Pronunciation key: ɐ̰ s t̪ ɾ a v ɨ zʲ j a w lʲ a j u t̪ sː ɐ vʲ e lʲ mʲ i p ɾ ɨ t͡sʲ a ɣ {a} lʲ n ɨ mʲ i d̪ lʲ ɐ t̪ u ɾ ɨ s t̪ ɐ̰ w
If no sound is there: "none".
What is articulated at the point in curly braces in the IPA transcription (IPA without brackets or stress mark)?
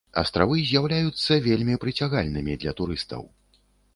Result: a